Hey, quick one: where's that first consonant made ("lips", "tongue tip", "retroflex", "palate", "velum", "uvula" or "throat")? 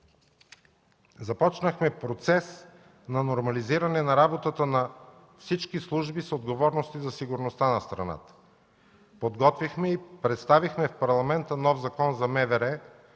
tongue tip